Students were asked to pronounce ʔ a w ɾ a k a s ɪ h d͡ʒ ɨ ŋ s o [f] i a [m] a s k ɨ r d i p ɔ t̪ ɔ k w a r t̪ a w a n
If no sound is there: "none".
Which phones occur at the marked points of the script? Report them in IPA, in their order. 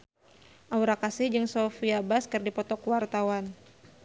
f, b

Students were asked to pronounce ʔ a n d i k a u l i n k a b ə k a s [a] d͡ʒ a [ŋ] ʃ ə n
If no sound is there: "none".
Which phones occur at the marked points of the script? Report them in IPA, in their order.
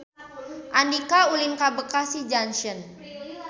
i, n

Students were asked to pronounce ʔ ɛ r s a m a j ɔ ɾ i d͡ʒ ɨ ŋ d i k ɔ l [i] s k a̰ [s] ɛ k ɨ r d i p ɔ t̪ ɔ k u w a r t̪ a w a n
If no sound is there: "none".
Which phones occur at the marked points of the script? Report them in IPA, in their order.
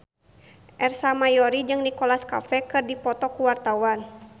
a, f

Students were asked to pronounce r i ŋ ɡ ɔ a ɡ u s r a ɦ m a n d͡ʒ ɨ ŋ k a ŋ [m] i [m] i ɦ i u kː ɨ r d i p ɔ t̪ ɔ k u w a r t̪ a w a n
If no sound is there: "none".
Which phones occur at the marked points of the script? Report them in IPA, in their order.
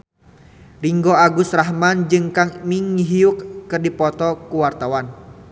m, ŋ

